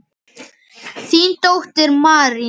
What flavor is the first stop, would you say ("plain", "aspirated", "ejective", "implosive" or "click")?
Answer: plain